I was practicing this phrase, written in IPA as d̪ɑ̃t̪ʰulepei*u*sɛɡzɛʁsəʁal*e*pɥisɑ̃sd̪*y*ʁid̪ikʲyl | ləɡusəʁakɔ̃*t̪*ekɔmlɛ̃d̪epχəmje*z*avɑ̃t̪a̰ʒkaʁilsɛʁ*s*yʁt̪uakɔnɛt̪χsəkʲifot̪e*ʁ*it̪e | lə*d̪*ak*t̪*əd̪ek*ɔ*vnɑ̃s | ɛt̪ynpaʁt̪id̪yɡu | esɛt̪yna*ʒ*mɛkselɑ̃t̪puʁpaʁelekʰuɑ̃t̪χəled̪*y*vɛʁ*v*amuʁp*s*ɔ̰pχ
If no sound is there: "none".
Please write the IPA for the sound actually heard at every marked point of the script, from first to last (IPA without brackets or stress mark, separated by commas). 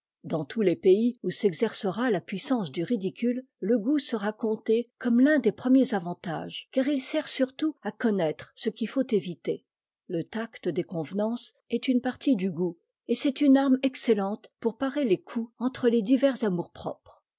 u, a, y, t̪, z, s, v, t̪, t̪, ɔ̃, ʁ, i, z, χ